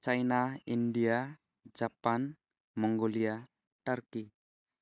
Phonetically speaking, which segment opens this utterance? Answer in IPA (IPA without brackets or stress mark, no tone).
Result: t͡ʃ